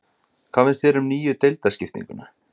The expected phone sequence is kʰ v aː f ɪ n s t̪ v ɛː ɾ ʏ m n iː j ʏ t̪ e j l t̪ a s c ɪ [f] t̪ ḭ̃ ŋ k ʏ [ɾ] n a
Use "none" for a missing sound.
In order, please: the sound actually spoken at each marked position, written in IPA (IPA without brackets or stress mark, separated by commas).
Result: f, none